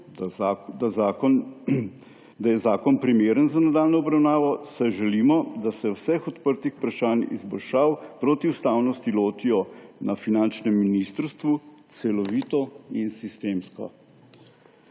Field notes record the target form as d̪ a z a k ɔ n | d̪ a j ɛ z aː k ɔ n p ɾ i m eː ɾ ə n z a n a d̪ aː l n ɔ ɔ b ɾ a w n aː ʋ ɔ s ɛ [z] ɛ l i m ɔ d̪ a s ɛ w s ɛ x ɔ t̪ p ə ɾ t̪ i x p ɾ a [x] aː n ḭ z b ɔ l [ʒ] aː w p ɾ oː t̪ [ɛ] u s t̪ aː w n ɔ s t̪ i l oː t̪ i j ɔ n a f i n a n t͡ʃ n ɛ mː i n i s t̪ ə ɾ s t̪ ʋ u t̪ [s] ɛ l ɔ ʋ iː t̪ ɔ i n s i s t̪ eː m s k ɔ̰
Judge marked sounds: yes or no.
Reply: no, no, no, no, yes

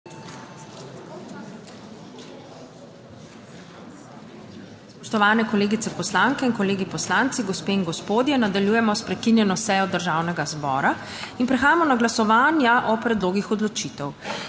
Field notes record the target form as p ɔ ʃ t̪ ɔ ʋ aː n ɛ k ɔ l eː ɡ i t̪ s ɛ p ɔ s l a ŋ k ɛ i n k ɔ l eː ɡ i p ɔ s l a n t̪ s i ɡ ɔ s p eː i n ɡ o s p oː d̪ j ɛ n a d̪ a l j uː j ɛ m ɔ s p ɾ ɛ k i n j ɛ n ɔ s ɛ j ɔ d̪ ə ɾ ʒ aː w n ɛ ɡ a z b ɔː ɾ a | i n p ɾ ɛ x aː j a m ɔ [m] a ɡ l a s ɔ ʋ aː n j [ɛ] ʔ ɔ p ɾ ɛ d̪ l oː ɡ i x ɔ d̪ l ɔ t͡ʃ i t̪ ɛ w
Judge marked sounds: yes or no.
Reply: no, no

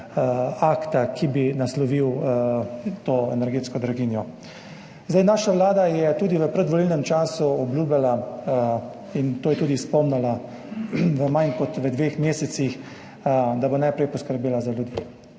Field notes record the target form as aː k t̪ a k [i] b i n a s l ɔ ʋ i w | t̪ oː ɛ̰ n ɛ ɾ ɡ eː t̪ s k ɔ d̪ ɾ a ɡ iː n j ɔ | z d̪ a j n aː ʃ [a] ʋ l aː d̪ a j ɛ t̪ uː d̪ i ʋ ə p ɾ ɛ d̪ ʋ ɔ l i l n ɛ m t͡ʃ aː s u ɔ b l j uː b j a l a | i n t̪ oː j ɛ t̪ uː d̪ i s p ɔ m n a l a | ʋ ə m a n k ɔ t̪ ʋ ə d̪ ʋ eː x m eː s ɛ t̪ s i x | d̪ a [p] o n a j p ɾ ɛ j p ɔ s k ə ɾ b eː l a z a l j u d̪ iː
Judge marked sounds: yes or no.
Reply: yes, yes, no

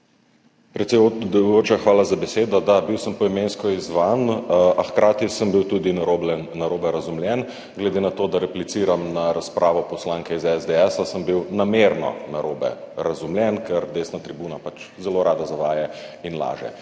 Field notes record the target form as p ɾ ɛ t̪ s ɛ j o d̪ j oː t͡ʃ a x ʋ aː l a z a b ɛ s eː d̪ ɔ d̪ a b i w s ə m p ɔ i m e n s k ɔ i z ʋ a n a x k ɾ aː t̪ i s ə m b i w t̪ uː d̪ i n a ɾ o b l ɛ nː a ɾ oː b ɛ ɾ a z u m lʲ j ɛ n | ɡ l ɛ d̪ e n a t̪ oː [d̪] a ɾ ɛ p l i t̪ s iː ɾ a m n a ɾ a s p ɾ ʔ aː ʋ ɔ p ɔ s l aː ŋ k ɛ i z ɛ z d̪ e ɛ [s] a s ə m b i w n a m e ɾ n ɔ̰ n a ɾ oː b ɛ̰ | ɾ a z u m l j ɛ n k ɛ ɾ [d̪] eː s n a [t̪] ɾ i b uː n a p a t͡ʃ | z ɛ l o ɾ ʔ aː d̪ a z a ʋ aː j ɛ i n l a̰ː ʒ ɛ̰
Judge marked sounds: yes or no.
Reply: yes, yes, yes, yes

